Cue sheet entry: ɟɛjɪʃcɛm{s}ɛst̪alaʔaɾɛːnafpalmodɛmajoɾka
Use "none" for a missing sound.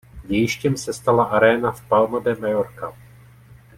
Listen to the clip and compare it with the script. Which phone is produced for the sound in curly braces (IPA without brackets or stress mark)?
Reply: s